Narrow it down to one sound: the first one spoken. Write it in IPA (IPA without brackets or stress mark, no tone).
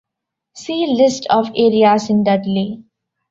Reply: s